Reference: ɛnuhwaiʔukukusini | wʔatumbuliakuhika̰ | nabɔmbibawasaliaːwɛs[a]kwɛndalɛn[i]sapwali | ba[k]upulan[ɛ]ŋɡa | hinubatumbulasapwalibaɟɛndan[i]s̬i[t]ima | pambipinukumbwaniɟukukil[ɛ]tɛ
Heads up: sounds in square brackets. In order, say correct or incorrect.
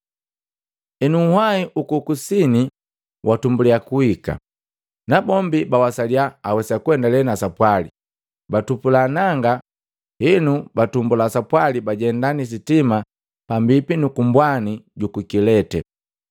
correct, incorrect, incorrect, incorrect, correct, correct, correct

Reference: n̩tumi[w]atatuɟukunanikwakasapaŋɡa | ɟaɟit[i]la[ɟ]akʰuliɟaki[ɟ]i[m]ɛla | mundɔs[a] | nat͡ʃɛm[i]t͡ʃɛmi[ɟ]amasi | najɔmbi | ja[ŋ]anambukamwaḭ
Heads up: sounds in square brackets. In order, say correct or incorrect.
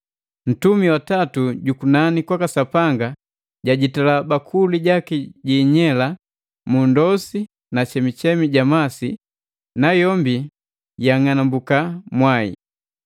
correct, incorrect, incorrect, correct, incorrect, incorrect, correct, correct, correct

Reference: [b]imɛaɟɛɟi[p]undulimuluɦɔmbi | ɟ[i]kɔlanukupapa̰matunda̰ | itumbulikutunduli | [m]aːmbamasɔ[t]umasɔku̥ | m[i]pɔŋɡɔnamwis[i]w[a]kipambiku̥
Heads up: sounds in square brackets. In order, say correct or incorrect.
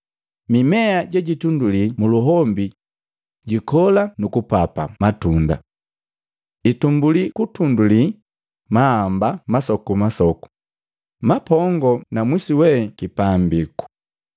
incorrect, incorrect, correct, correct, incorrect, incorrect, correct, incorrect

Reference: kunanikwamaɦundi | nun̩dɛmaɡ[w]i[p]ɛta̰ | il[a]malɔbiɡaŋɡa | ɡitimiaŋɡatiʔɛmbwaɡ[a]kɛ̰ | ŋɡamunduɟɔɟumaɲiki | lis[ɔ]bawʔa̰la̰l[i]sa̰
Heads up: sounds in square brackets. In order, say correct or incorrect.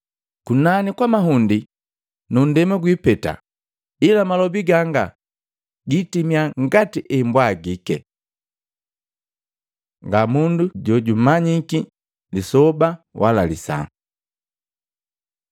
correct, correct, correct, incorrect, correct, correct

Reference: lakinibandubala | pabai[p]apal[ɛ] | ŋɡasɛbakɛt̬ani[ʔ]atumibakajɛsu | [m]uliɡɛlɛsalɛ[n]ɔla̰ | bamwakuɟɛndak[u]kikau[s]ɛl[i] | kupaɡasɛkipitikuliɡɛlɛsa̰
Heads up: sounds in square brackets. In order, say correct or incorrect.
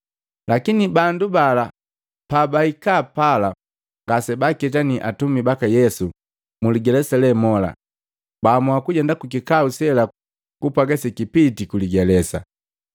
incorrect, incorrect, correct, correct, incorrect, correct, correct, incorrect

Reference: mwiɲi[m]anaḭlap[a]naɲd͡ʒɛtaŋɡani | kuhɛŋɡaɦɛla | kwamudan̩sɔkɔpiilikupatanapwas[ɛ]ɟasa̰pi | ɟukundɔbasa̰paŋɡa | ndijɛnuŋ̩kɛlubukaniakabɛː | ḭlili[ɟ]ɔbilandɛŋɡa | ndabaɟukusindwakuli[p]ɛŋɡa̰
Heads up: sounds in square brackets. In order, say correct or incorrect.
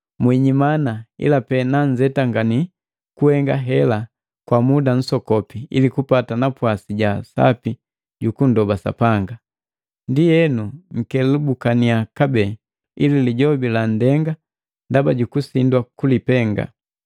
correct, incorrect, incorrect, correct, correct

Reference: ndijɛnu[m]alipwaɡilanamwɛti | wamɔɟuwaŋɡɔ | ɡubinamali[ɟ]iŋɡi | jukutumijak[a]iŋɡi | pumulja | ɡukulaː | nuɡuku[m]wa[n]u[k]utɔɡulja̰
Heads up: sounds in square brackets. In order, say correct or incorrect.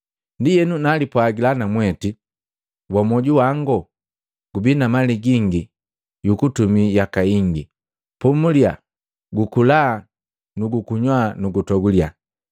incorrect, incorrect, correct, incorrect, correct, incorrect

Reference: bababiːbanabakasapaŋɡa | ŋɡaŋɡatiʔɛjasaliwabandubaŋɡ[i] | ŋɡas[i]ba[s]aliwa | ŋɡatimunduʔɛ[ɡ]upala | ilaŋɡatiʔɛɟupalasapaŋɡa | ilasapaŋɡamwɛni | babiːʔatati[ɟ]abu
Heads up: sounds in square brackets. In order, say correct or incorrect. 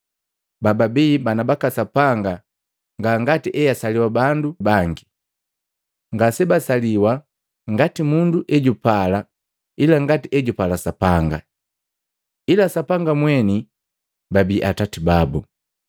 correct, incorrect, correct, incorrect, incorrect

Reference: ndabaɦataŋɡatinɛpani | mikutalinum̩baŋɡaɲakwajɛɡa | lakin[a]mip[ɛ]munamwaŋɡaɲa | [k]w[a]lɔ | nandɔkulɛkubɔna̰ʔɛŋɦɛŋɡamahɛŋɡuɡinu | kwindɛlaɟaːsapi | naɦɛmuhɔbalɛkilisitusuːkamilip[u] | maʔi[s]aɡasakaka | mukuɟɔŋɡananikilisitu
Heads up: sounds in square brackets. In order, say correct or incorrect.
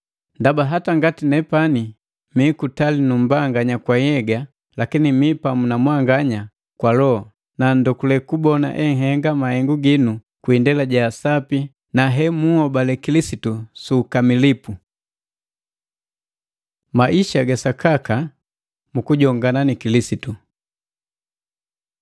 incorrect, incorrect, correct, correct, correct, incorrect

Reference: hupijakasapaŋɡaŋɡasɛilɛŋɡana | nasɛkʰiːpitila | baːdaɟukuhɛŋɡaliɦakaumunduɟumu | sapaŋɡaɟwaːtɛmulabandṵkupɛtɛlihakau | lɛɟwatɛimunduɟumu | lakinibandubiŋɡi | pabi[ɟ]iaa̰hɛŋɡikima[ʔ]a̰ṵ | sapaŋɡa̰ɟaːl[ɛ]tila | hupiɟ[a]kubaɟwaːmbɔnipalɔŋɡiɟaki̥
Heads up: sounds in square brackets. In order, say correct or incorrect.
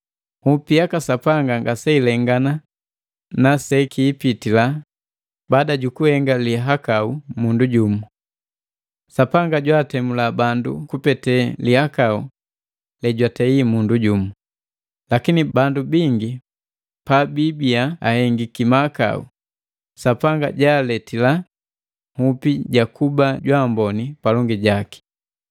incorrect, incorrect, correct, correct

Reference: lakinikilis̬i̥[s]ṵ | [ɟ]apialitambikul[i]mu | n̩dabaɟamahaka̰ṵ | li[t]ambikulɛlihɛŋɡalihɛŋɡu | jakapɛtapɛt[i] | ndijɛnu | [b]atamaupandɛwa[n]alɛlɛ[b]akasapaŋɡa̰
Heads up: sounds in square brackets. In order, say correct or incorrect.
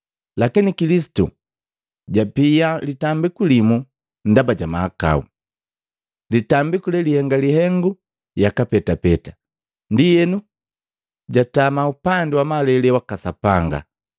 incorrect, correct, correct, correct, incorrect, incorrect, incorrect, incorrect

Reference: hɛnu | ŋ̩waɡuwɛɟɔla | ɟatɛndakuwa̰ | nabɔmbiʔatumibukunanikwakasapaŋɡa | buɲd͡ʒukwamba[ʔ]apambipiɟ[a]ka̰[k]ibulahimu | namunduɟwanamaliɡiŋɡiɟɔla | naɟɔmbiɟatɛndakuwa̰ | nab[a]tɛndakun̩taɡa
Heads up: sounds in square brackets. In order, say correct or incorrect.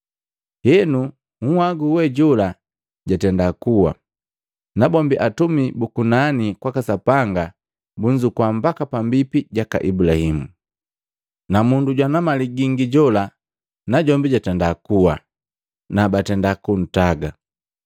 incorrect, correct, incorrect, correct

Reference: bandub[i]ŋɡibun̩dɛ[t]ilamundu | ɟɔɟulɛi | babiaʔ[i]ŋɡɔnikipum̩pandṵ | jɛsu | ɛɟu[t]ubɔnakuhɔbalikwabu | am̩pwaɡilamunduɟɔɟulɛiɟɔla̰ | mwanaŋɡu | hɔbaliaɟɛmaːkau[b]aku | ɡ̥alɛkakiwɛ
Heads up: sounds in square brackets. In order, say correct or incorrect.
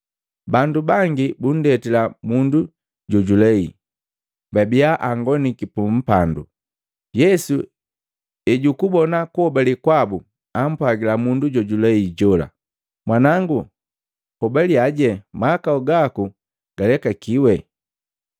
incorrect, correct, incorrect, incorrect, incorrect

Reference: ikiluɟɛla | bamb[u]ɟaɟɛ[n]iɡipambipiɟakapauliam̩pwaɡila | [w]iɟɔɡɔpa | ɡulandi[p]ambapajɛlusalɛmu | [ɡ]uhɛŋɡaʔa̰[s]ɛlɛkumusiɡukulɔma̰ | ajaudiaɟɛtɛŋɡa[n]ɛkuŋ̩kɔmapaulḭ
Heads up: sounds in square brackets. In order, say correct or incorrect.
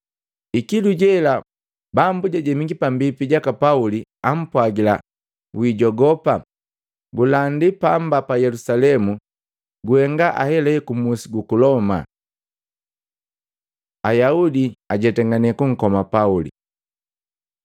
correct, incorrect, correct, correct, correct, incorrect, correct

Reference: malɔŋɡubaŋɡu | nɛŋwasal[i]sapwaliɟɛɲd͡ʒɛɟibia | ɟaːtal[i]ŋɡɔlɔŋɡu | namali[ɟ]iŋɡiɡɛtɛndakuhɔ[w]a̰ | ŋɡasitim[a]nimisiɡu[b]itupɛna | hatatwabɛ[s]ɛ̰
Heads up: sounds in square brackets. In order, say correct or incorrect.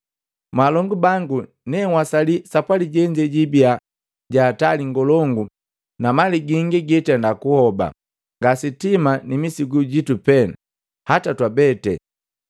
correct, correct, incorrect, incorrect, correct, incorrect, incorrect

